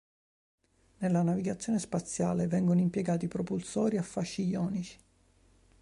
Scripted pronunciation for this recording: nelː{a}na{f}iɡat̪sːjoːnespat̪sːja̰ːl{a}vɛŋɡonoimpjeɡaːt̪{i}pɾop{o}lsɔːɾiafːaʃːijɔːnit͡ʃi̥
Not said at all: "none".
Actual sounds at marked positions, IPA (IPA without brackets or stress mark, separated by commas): a, v, e, i, u